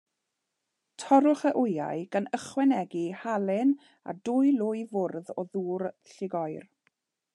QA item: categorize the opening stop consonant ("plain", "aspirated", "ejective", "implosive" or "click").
aspirated